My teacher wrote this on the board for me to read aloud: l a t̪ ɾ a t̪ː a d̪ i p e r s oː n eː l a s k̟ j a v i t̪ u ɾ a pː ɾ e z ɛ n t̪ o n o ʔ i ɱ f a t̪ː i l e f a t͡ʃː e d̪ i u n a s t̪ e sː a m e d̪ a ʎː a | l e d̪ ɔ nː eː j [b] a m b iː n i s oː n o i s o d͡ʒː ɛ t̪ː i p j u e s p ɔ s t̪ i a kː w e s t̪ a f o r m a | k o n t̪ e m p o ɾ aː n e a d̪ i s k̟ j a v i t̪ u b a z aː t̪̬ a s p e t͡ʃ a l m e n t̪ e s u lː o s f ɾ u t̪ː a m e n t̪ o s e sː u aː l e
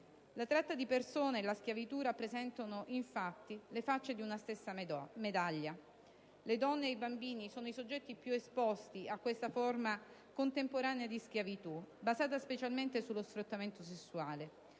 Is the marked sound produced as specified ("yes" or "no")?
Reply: yes